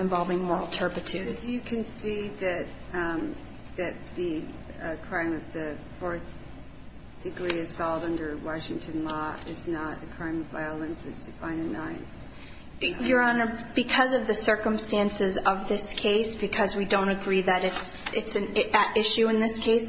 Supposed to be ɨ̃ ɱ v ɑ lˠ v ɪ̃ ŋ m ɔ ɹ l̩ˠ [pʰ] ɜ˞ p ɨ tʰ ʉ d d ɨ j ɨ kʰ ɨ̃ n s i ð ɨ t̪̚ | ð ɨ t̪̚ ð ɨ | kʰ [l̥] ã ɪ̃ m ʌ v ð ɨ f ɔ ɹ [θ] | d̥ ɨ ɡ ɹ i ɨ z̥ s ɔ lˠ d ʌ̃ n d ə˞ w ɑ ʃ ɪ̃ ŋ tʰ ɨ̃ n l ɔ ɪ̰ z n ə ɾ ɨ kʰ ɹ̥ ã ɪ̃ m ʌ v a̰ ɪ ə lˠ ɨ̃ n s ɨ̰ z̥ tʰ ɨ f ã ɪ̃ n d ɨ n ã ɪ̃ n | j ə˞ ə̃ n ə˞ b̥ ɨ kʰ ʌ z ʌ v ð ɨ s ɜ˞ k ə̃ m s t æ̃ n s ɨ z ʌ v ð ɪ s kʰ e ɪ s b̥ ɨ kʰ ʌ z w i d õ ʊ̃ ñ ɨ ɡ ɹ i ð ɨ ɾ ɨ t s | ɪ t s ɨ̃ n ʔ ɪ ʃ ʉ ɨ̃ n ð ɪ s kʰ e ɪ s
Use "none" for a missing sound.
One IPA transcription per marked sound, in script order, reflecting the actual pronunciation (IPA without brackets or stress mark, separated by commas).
tʰ, ɹ̥, θ